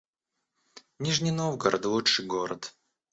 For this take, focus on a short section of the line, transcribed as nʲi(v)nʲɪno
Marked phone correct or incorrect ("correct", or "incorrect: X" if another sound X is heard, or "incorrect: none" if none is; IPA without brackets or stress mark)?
incorrect: ʐ